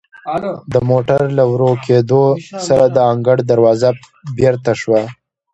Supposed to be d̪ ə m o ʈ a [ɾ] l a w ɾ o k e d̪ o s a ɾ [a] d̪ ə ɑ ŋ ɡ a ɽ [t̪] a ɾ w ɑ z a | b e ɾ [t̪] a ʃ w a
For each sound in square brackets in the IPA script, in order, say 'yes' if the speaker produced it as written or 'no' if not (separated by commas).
yes, yes, no, yes